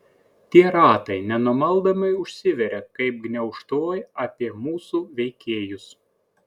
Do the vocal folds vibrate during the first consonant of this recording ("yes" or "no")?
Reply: no